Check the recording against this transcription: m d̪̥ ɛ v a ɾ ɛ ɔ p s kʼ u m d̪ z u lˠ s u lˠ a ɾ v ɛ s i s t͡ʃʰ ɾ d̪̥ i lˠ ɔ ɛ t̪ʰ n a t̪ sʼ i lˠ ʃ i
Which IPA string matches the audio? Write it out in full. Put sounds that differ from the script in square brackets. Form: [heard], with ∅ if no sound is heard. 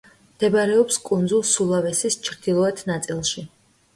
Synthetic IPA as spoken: m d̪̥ ɛ [b] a ɾ ɛ ɔ p s kʼ u [n] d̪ z u lˠ s u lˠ a [∅] v ɛ s i s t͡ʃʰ ɾ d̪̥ i lˠ ɔ ɛ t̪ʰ n a t̪ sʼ i lˠ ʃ i